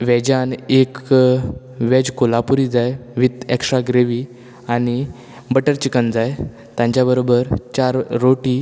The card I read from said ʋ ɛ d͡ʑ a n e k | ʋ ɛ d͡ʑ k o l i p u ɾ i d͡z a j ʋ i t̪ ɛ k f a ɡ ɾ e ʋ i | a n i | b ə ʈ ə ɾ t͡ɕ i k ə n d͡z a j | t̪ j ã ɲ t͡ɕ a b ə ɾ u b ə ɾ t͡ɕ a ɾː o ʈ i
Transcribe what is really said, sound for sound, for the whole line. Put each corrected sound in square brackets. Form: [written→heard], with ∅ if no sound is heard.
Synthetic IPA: ʋ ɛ d͡ʑ a n e k | ʋ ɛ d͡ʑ k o l [i→a] p u ɾ i d͡z a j ʋ i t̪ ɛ k [f→ʂ] a ɡ ɾ e ʋ i | a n i | b ə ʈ ə ɾ t͡ɕ i k ə n d͡z a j | t̪ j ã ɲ t͡ɕ a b ə ɾ [u→o] b ə ɾ t͡ɕ a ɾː o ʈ i